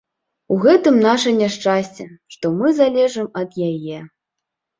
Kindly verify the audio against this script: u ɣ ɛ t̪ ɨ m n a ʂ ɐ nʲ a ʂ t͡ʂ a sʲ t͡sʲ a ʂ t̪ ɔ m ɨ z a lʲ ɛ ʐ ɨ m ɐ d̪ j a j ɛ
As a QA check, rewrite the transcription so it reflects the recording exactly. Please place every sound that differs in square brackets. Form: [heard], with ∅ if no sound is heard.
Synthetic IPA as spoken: u ɣ ɛ t̪ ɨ m n a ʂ ɐ nʲ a ʂ t͡ʂ a sʲ t͡sʲ [ɛ] ʂ t̪ ɔ m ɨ z a lʲ ɛ ʐ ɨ m ɐ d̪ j a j ɛ